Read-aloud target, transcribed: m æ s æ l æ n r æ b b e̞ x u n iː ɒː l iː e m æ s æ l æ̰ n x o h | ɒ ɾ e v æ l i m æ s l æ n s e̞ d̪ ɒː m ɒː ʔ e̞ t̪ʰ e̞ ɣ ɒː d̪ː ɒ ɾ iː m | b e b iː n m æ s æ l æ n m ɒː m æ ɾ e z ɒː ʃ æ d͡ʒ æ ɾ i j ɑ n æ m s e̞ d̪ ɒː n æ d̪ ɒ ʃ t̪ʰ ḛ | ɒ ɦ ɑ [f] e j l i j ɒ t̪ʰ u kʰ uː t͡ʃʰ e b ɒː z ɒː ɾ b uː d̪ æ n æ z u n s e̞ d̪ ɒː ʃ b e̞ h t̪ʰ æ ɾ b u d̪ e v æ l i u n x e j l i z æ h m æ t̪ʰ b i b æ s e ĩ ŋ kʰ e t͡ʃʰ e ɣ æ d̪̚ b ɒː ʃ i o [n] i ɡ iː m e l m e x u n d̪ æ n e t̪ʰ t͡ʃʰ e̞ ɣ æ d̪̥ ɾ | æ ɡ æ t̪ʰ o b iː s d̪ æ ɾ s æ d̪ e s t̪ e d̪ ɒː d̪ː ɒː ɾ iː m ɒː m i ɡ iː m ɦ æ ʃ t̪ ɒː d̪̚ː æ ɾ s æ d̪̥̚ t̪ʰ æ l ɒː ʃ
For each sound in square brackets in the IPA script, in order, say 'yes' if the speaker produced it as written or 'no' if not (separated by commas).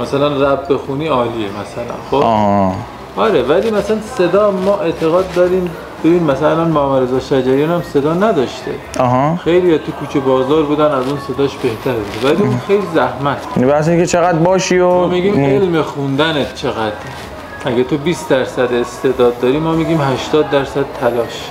no, no